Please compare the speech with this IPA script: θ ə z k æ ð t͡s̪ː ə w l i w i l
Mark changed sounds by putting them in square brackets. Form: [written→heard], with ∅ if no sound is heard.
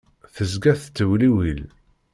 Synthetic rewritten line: θ ə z [k→ɡ] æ [ð→θ] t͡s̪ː ə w l i w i l